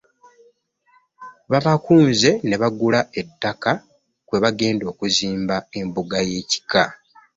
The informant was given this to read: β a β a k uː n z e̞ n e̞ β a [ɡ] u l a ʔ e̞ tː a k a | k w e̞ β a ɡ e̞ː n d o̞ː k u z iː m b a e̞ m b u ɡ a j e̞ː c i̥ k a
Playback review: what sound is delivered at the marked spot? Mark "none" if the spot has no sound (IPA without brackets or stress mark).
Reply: ɡ